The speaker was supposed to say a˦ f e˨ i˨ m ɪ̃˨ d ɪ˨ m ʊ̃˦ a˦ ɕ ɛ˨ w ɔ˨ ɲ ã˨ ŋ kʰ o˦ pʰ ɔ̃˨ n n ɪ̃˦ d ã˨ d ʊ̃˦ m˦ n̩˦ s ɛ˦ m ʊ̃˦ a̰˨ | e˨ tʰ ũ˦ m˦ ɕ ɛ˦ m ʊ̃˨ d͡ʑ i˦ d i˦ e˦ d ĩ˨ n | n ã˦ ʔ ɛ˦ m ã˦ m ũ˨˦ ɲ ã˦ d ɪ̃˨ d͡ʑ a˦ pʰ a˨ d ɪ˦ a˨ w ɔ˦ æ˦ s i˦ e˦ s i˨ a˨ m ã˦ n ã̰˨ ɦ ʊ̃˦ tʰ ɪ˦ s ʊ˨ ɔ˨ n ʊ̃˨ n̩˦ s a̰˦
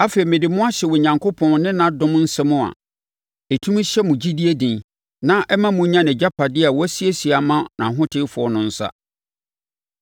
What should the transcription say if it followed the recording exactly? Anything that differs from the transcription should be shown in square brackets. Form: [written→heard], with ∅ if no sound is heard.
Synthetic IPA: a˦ f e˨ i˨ m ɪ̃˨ d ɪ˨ m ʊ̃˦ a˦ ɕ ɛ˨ w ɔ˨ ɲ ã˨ ŋ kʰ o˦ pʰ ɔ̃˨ n n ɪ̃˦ [d→n] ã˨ d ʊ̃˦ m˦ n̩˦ s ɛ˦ m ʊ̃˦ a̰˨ | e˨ tʰ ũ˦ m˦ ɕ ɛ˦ m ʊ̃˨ d͡ʑ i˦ d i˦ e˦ d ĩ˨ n | n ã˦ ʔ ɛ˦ m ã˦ m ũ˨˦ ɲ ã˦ [d→n] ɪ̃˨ d͡ʑ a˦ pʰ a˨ d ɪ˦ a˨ w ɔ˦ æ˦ s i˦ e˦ s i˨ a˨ m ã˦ n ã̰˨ ɦ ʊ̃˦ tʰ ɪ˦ [s→f] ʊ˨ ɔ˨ n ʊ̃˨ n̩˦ s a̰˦